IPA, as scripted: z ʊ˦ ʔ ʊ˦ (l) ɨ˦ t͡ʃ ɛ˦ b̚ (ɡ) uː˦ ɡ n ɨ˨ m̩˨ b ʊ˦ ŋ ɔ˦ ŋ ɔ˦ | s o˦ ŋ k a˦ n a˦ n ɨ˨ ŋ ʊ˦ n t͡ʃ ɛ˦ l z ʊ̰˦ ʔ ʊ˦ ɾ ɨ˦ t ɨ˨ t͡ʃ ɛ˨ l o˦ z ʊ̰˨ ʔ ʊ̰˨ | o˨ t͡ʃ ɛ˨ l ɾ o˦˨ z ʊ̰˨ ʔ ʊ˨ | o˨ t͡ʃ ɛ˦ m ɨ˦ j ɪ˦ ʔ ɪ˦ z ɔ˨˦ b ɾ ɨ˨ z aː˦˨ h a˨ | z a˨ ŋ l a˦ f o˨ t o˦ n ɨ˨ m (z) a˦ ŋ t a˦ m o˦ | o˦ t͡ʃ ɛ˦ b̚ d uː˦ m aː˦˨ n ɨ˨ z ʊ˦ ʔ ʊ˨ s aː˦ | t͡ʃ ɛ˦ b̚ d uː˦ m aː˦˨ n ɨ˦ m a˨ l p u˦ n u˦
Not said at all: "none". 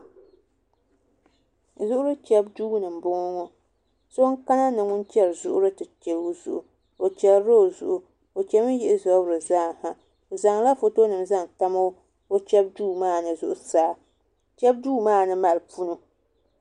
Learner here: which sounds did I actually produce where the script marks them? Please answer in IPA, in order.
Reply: ɾ, d, z

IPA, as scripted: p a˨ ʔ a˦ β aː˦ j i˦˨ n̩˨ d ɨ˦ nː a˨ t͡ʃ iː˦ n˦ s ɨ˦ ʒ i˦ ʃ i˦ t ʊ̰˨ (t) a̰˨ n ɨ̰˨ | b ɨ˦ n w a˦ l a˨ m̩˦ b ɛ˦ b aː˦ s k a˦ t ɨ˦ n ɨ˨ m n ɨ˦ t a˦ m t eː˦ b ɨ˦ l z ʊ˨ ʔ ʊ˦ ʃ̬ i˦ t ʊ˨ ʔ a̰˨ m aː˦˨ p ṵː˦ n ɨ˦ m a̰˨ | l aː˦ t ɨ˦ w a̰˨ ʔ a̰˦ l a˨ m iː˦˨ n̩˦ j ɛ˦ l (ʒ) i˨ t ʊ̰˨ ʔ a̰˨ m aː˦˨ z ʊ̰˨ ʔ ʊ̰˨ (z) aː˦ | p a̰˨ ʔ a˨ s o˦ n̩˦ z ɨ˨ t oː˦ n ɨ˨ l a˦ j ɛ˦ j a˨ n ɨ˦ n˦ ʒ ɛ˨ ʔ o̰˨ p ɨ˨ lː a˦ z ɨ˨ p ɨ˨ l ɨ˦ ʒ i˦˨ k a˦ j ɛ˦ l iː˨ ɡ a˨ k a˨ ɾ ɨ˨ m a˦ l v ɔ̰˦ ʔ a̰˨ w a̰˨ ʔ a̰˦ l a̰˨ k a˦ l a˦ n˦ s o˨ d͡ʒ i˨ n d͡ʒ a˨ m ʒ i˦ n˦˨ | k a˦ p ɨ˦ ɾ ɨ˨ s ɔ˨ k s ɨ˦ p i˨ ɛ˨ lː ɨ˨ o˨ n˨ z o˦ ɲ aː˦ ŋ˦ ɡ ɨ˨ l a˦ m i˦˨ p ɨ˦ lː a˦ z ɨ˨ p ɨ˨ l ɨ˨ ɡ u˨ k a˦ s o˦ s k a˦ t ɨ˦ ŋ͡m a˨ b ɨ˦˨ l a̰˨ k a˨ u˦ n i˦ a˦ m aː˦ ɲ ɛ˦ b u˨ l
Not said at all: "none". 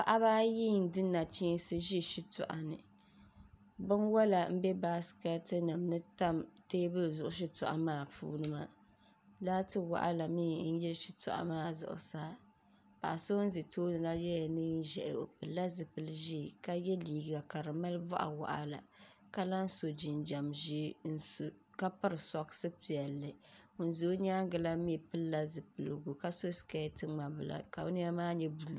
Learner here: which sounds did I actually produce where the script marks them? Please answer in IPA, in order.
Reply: ʔ, ʃ, s

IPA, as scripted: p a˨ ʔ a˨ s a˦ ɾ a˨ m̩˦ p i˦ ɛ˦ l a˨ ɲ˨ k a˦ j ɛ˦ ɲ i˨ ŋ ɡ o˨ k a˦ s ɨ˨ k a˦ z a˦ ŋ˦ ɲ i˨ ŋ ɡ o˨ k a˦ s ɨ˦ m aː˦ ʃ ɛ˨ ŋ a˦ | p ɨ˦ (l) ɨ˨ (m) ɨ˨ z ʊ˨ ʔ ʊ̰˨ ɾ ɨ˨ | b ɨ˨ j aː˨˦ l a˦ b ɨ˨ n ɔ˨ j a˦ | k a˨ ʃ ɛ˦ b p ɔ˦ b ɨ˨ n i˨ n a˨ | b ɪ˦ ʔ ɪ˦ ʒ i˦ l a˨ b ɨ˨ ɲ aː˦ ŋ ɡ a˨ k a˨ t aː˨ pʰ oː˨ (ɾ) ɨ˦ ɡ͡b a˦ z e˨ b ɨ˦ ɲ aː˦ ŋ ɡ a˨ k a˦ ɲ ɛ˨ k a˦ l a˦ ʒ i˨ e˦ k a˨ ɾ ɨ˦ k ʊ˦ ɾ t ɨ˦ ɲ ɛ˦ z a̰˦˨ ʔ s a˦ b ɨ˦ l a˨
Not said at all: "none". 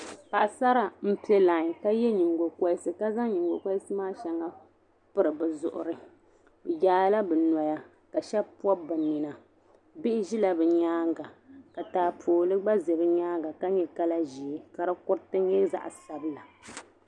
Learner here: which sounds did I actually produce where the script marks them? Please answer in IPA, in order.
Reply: ɾ, b, l

